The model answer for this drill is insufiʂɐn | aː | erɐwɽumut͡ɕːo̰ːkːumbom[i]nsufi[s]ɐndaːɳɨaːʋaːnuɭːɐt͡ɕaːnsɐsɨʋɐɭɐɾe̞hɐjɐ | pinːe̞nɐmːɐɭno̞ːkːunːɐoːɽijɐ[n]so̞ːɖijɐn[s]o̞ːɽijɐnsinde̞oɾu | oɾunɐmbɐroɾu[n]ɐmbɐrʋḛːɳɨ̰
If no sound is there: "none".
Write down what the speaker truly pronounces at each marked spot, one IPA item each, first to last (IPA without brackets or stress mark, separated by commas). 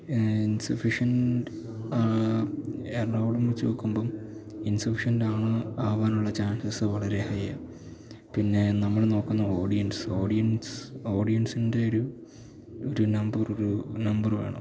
i, ʂ, n, s, n